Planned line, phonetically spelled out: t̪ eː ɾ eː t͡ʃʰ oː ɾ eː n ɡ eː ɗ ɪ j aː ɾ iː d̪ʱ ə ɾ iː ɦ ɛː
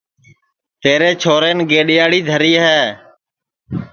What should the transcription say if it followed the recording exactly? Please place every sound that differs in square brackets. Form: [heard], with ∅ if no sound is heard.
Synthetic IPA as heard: t̪ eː ɾ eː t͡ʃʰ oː ɾ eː n ɡ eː ɗ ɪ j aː [ɽ] iː d̪ʱ ə ɾ iː ɦ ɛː

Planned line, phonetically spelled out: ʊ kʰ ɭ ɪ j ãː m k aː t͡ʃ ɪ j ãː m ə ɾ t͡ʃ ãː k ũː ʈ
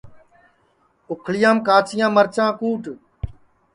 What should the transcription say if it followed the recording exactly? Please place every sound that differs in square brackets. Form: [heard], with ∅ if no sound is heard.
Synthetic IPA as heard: ʊ kʰ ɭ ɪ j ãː m k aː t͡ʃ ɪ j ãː m ə ɾ t͡ʃ ãː k [uː] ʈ

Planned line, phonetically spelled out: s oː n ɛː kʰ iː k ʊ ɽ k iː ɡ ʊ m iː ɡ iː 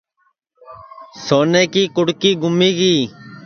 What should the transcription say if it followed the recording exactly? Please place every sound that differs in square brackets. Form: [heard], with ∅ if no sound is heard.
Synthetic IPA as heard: s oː n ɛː [k] iː k ʊ ɽ k iː ɡ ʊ m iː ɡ iː

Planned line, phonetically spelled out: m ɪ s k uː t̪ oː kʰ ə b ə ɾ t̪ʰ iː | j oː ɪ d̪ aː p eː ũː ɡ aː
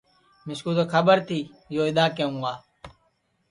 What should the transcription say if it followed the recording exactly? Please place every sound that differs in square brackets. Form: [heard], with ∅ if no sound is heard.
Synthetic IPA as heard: m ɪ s k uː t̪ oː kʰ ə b ə ɾ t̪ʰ iː | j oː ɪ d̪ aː [k] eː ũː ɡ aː

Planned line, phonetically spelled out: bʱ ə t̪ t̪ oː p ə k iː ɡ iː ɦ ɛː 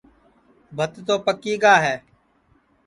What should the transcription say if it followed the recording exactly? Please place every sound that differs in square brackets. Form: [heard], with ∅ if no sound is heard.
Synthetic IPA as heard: bʱ ə t̪ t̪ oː p ə k iː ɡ [aː] ɦ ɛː

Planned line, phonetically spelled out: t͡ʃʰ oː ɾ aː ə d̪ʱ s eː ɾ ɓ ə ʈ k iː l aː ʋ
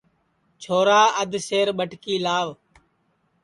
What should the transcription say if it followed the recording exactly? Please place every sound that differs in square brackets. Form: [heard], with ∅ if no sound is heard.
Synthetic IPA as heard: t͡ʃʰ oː ɾ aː ə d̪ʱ s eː ɾ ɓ ə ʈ k iː l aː ʋ

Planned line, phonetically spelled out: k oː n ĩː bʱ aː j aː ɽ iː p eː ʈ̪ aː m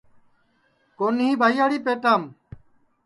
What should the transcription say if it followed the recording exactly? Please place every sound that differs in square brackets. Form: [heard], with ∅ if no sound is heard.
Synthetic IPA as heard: k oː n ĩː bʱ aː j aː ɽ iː p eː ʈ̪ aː m

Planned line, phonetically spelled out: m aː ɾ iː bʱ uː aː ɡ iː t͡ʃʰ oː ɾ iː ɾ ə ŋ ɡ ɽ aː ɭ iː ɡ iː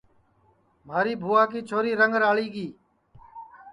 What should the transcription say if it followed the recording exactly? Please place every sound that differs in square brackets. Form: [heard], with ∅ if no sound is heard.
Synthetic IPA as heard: m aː ɾ iː bʱ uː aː [k] iː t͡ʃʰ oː ɾ iː ɾ ə ŋ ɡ [ɾ] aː ɭ iː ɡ iː

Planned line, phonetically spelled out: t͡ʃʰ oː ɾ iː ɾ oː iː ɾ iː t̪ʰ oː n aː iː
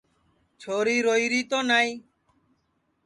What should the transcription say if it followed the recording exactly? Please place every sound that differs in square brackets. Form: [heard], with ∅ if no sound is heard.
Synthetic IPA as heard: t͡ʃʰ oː ɾ iː ɾ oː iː ɾ iː [t̪] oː n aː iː

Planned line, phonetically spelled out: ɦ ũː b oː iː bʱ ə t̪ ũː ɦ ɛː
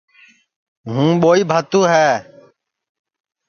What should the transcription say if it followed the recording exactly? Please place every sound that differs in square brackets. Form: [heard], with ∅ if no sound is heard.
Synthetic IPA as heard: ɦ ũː [ɓ] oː iː bʱ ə t̪ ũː ɦ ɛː

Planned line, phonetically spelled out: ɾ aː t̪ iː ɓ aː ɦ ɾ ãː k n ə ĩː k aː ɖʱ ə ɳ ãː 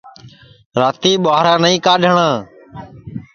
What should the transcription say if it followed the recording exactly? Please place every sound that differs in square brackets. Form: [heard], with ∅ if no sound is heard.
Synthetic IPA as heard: ɾ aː t̪ iː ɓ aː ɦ ɾ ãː [∅] n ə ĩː k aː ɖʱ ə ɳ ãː

